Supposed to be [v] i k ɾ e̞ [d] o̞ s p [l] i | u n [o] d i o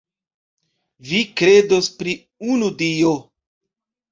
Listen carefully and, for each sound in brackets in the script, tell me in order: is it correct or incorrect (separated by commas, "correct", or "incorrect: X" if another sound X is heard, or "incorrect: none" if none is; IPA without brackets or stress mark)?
correct, correct, incorrect: ɾ, incorrect: u